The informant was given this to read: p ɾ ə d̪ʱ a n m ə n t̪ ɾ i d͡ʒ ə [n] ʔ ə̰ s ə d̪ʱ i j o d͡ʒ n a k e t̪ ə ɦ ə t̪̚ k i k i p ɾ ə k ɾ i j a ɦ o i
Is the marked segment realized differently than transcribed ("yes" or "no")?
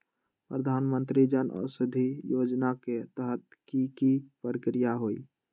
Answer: no